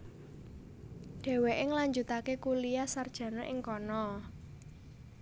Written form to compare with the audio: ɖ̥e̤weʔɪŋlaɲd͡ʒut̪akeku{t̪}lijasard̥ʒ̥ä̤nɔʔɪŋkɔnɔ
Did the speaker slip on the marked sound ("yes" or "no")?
yes